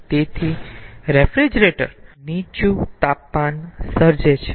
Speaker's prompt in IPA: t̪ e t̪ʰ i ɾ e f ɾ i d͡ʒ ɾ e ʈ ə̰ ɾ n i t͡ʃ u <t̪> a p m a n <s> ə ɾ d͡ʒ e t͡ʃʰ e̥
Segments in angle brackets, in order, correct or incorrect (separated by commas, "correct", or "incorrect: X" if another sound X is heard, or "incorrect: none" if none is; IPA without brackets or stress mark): correct, correct